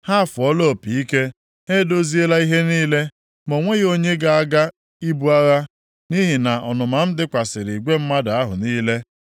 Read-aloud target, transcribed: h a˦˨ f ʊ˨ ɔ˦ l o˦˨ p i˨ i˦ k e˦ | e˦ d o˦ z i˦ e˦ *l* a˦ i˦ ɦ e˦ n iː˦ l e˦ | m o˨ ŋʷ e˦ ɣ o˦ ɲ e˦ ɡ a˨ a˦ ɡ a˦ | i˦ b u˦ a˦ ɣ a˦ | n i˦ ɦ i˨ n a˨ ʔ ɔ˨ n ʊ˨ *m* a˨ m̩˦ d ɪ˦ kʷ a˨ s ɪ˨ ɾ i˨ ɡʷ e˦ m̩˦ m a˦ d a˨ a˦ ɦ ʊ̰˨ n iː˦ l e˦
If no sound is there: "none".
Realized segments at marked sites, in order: l, m

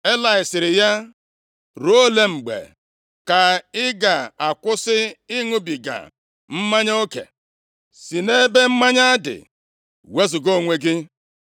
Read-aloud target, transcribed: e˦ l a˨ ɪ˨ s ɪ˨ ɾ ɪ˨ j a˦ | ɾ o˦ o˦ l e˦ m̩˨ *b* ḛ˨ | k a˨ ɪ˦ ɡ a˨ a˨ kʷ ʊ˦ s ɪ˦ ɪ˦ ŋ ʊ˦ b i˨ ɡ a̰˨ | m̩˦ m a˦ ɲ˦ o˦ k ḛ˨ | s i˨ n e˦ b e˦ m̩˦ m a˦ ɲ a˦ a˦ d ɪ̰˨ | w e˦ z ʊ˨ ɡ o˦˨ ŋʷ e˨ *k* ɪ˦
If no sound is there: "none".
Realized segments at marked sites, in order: ɡ͡b, ɡ

